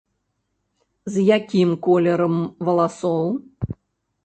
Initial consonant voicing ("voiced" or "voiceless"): voiced